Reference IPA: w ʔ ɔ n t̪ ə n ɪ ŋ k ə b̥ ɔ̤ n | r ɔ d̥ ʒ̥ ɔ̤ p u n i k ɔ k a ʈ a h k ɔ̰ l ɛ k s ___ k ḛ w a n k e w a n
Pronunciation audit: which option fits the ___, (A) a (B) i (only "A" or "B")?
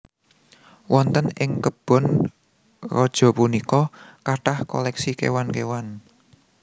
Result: B